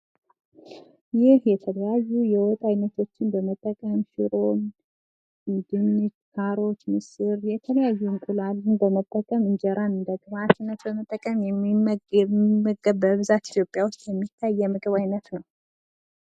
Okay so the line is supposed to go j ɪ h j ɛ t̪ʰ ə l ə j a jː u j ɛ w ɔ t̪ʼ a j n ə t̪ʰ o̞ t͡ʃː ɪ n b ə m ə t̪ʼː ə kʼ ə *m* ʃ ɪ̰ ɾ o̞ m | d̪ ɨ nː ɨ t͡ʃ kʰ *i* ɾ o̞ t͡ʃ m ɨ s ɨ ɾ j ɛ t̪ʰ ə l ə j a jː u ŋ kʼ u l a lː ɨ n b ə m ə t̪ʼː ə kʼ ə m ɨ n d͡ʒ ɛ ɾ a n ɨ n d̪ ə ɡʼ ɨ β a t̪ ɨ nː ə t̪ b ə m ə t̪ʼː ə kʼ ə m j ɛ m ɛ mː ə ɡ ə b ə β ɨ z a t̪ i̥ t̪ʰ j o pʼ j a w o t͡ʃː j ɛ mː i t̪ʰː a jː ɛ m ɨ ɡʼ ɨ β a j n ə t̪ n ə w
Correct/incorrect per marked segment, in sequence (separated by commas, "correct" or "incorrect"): correct, incorrect